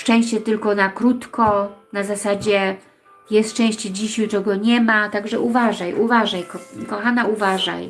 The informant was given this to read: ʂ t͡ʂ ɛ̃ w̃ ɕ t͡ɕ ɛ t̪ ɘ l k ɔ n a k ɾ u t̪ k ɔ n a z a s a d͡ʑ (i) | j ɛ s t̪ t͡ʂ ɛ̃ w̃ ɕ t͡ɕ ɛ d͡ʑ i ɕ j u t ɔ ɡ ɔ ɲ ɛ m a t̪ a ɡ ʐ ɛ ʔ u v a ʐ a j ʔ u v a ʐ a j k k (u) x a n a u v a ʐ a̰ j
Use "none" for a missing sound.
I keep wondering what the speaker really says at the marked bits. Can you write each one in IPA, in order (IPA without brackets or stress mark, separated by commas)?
ɛ, ɔ